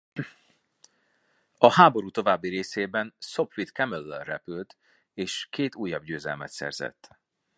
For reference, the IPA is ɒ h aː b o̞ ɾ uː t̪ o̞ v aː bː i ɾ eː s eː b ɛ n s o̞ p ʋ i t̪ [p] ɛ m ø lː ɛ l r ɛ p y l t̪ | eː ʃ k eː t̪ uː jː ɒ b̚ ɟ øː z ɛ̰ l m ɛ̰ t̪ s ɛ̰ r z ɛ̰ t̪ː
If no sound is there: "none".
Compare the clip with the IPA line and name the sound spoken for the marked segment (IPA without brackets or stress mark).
k